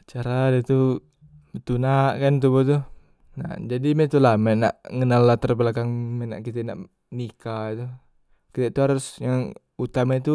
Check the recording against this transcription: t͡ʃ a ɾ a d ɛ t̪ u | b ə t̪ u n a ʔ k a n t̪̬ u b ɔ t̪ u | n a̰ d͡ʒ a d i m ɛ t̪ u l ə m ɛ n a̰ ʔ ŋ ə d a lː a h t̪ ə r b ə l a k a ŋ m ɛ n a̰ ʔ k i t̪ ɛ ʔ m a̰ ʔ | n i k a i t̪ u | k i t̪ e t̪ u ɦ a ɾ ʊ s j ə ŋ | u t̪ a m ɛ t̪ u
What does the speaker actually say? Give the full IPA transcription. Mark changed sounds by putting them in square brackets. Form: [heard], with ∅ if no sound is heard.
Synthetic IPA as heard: t͡ʃ a ɾ a d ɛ t̪ u | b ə t̪ u n a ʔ k a n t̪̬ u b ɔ t̪ u | n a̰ d͡ʒ a d i m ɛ t̪ u l [a] m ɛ n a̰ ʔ ŋ ə [n] a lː a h t̪ ə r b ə l a k a ŋ m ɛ n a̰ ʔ k i t̪ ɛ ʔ [n] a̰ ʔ | n i k a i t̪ u | k i t̪ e t̪ u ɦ a ɾ ʊ s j [a] ŋ | u t̪ a m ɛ t̪ u